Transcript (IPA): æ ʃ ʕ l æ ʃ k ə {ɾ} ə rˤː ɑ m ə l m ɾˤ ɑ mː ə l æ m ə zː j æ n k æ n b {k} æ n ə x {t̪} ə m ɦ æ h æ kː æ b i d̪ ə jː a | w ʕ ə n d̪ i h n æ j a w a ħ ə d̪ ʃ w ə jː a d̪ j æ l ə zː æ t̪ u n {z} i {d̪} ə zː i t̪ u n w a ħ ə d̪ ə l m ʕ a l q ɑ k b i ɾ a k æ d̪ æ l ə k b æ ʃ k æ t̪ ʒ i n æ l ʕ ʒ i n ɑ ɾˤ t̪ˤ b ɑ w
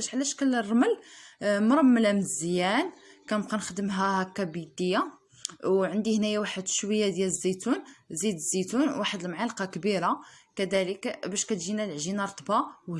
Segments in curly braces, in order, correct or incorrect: incorrect: l, incorrect: q, incorrect: d̪, correct, correct

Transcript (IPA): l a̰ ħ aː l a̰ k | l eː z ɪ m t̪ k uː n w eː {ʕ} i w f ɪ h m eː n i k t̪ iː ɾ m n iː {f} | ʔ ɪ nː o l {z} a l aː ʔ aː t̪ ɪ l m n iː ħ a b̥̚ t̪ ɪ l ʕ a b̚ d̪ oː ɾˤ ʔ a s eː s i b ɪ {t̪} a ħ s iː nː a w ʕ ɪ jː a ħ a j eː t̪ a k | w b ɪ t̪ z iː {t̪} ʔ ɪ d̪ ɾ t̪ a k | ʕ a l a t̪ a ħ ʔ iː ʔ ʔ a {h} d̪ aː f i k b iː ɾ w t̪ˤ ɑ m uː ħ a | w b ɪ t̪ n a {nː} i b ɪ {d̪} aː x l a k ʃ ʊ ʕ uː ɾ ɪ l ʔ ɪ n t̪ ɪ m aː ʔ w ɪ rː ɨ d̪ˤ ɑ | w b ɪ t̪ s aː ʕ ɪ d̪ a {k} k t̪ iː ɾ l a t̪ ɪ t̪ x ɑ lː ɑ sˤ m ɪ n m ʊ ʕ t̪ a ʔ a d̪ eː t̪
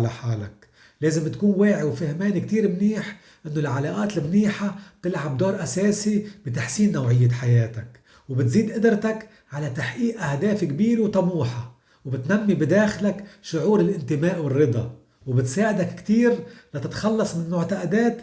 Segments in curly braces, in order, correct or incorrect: correct, incorrect: ħ, incorrect: ʕ, correct, incorrect: d̪, correct, incorrect: mː, correct, correct

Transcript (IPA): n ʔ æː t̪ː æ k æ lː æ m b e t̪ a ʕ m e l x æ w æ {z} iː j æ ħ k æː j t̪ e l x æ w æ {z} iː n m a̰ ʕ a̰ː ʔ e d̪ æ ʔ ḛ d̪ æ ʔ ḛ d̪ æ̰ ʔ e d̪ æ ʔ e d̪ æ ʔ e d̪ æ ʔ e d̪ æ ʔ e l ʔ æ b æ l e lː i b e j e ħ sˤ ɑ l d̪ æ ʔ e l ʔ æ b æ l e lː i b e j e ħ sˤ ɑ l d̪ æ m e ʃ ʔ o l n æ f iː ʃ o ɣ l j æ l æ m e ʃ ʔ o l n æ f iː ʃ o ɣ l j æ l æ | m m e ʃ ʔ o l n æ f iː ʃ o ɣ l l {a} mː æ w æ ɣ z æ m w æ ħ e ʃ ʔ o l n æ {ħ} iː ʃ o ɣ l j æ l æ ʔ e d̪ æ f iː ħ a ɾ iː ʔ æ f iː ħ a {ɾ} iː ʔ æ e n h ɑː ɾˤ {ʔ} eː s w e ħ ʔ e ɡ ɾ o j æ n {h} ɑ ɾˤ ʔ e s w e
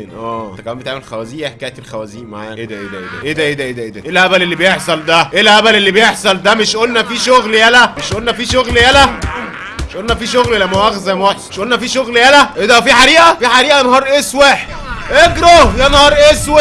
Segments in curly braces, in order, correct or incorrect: correct, correct, incorrect: æ, incorrect: f, correct, correct, correct

